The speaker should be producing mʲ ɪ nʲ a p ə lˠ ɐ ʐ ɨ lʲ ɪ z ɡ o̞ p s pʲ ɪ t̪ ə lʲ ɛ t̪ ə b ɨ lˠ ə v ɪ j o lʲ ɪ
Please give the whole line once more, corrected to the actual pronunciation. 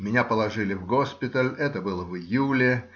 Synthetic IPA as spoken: mʲ ɪ nʲ a p ə lˠ ɐ ʐ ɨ lʲ ɪ v ɡ o̞ s pʲ ɪ t̪ ə lʲ ɛ t̪ ə b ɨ lˠ ə v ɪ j u lʲ ɪ